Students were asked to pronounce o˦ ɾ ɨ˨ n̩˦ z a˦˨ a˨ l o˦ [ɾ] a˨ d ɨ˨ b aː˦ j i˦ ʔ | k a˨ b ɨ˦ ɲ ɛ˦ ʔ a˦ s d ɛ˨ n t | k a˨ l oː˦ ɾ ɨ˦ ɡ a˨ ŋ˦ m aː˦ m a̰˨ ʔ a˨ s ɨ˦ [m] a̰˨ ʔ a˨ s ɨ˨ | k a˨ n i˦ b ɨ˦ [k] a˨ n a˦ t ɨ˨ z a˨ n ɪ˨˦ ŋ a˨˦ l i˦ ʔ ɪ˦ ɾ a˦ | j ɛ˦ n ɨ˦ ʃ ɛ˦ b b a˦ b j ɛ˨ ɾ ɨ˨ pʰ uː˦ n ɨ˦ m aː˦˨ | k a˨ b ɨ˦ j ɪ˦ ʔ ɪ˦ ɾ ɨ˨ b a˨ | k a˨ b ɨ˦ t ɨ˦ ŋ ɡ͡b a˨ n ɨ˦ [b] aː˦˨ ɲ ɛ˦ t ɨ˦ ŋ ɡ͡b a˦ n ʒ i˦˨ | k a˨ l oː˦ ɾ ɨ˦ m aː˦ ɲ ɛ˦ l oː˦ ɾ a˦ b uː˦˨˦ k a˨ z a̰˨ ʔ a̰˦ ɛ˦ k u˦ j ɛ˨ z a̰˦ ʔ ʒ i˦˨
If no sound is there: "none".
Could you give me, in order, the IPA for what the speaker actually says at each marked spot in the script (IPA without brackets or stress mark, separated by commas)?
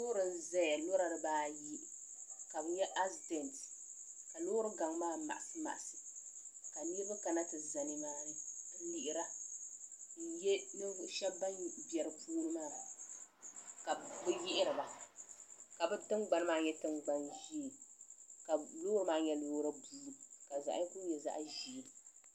ɾ, m, k, m